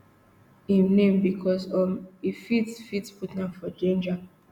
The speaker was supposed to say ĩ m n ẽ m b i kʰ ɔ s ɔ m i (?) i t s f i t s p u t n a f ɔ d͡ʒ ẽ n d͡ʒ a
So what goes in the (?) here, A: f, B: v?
A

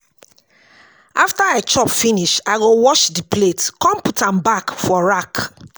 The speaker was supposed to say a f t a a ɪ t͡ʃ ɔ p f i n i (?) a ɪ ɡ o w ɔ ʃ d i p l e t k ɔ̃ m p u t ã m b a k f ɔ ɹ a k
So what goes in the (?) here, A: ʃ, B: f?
A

